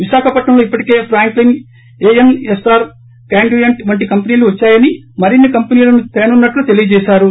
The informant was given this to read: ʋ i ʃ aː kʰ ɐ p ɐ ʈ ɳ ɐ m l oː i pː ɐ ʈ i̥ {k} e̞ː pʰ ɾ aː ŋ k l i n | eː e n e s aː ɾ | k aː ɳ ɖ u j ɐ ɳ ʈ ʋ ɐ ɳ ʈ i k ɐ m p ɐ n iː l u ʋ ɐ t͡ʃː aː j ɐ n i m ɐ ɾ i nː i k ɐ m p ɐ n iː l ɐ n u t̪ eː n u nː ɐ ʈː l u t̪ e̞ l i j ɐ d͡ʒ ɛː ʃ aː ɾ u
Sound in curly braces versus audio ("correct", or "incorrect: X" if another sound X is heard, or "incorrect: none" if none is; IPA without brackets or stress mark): correct